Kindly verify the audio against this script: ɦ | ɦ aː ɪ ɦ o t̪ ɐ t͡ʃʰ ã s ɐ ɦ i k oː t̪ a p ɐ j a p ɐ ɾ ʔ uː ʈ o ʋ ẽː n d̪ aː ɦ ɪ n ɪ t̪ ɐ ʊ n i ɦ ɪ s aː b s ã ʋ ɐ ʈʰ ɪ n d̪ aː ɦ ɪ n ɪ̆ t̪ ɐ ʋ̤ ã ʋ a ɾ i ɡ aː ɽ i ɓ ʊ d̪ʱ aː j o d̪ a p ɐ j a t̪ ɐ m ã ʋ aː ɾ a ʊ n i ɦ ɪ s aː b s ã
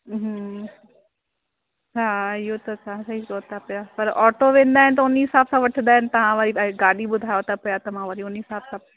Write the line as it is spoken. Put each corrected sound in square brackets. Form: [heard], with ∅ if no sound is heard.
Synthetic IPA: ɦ | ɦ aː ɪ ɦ o t̪ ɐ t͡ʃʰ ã s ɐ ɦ i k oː t̪ a p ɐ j a p ɐ ɾ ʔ [ɔː] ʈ o ʋ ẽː n d̪ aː ɦ ɪ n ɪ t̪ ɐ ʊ n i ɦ ɪ s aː b s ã ʋ ɐ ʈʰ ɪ n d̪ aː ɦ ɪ n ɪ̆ t̪ ɐ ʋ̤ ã ʋ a ɾ i ɡ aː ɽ i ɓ ʊ d̪ʱ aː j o [t̪] a p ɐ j a t̪ ɐ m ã ʋ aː ɾ [i] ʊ n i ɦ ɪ s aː b s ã

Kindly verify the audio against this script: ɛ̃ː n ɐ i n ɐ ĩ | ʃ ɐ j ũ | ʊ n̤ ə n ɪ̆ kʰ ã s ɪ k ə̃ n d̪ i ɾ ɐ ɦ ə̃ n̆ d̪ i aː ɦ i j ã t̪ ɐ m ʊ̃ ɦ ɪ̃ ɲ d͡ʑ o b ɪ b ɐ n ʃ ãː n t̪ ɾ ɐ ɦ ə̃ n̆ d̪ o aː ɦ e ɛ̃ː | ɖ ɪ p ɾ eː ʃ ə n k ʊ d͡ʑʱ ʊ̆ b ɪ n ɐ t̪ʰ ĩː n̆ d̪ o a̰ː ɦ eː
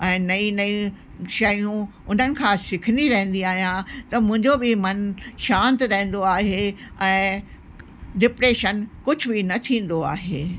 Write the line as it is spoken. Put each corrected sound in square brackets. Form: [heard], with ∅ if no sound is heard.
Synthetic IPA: ɛ̃ː n ɐ i n ɐ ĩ | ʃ ɐ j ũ | ʊ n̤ ə n ɪ̆ kʰ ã s ɪ [kʰ] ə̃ n d̪ i ɾ ɐ ɦ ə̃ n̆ d̪ i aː ɦ i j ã t̪ ɐ m ʊ̃ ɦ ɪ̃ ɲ d͡ʑ o b ɪ [m] ɐ n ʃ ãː n t̪ ɾ ɐ ɦ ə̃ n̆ d̪ o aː ɦ e ɛ̃ː | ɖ ɪ p ɾ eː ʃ ə n k ʊ d͡ʑʱ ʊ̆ b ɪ n ɐ t̪ʰ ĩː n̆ d̪ o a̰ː ɦ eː

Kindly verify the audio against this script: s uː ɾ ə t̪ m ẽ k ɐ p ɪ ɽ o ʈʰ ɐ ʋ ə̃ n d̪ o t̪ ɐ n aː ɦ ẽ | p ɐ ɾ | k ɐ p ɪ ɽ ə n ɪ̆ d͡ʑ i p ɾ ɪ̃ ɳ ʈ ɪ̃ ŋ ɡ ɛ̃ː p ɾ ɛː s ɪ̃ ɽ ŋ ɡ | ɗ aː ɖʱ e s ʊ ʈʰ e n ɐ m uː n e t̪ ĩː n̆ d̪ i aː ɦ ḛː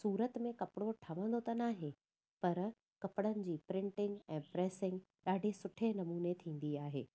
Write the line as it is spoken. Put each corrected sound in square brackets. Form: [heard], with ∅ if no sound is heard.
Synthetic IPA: s uː ɾ ə t̪ m ẽ k ɐ p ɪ ɽ o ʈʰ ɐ ʋ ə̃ n d̪ o t̪ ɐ n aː ɦ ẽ | p ɐ ɾ | k ɐ p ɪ ɽ ə n ɪ̆ d͡ʑ [iː] p ɾ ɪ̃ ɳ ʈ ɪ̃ ŋ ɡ ɛ̃ː p ɾ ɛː s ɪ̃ [∅] ŋ ɡ | ɗ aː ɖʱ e s ʊ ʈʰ e n ɐ m uː n e [t̪ʰ] ĩː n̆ d̪ i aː ɦ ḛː

